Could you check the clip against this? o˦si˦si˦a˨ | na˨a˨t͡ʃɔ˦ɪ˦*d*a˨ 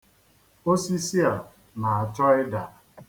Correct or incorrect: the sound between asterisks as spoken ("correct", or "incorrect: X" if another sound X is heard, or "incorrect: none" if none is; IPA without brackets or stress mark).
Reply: correct